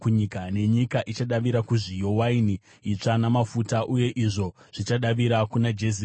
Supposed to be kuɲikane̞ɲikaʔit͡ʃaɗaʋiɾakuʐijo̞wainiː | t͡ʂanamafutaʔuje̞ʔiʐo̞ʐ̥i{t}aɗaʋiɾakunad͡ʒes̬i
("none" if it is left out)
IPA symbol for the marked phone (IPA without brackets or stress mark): t͡ʃ